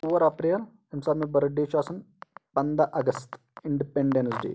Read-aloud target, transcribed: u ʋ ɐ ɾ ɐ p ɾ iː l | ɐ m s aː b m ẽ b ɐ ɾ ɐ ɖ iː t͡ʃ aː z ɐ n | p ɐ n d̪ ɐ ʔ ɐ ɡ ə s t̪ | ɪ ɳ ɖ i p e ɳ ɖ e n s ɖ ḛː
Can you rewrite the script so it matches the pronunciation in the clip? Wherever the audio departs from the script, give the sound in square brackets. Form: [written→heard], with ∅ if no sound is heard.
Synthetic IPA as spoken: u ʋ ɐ ɾ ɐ p ɾ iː l | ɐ m s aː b m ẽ b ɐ ɾ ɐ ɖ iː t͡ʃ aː [z→s] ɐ n | p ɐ n d̪ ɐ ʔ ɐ ɡ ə s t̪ | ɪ ɳ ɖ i p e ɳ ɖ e n s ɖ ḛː